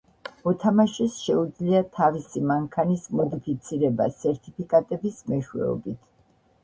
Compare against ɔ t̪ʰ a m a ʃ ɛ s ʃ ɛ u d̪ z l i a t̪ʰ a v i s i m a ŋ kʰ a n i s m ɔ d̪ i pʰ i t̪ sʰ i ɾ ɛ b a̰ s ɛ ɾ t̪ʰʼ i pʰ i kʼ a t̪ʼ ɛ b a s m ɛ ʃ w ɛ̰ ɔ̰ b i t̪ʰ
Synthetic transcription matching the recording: ɔ t̪ʰ a m a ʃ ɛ s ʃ ɛ u d̪ z l i a t̪ʰ a v i s i m a ŋ kʰ a n i s m ɔ d̪ i pʰ i t̪ sʰ i ɾ ɛ b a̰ s ɛ ɾ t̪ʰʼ i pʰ i kʼ a t̪ʼ ɛ b i s m ɛ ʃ w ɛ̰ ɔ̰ b i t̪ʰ